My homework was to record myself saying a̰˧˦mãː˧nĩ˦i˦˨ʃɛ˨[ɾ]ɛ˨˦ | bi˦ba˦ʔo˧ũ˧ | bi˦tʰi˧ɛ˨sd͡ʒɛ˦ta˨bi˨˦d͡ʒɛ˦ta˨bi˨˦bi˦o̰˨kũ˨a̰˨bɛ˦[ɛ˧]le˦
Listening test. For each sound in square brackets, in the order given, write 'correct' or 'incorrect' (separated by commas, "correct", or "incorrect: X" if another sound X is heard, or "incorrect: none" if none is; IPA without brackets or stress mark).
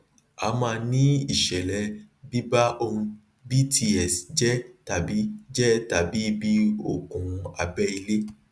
incorrect: l, incorrect: i˧